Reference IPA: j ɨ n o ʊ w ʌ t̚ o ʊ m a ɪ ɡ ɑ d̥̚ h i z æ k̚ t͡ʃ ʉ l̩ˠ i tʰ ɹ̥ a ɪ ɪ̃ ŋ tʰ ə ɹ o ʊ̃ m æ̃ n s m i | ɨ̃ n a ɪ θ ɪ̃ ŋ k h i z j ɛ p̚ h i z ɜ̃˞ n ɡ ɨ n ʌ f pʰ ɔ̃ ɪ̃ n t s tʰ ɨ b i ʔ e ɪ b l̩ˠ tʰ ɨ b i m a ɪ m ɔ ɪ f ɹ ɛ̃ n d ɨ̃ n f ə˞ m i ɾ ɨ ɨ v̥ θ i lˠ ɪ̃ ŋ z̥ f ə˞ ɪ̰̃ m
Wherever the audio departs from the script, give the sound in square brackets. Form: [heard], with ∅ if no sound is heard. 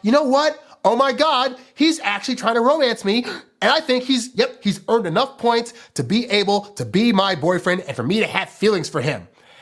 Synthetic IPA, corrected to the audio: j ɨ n o ʊ w ʌ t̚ o ʊ m a ɪ ɡ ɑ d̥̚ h i z æ k̚ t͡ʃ ʉ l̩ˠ i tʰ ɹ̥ a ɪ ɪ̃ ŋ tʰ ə ɹ o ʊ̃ m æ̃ n s m i | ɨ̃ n a ɪ θ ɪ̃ ŋ k h i z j ɛ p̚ h i z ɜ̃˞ n [d] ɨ n ʌ f pʰ ɔ̃ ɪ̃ n t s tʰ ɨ b i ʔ e ɪ b l̩ˠ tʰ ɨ b i m a ɪ [b] ɔ ɪ f ɹ ɛ̃ n d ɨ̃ n f ə˞ m i ɾ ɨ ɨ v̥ [f] i lˠ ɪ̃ ŋ z̥ f ə˞ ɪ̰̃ m